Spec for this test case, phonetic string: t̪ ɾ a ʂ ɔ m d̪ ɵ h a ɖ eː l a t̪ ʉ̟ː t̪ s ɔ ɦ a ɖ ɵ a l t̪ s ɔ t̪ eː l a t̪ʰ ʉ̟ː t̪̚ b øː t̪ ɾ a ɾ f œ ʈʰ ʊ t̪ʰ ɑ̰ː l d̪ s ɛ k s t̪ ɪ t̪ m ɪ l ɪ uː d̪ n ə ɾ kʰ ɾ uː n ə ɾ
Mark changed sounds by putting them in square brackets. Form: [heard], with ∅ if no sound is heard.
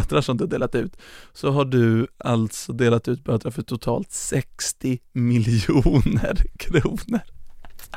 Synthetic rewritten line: t̪ ɾ a ʂ ɔ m d̪ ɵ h a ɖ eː l a t̪ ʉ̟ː t̪ s ɔ ɦ a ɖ ɵ a l t̪ s ɔ [d̪] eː l a [t̪] ʉ̟ː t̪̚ b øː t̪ ɾ a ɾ f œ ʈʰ ʊ t̪ʰ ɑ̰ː l [t̪] s ɛ k s t̪ ɪ [∅] m ɪ l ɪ uː [∅] n ə ɾ kʰ ɾ uː n ə ɾ